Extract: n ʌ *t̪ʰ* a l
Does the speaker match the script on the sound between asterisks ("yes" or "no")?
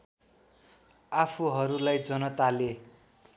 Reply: no